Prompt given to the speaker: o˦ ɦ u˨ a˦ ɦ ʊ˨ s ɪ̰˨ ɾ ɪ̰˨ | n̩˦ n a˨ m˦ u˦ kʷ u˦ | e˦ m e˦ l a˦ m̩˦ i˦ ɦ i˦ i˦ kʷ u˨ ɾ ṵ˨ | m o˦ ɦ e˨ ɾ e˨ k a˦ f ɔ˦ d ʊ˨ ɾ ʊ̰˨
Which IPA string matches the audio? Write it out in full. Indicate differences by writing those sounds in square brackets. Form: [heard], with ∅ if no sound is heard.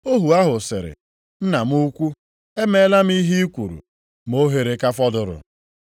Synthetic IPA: o˦ ɦ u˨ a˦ ɦ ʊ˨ s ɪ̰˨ ɾ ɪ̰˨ | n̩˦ n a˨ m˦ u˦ kʷ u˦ | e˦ m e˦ l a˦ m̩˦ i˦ ɦ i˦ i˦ kʷ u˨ ɾ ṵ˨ | m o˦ ɦ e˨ ɾ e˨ k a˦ f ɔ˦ d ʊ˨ ɾ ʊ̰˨